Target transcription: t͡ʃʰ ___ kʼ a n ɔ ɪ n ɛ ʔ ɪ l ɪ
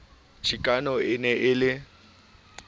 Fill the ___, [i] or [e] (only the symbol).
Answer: i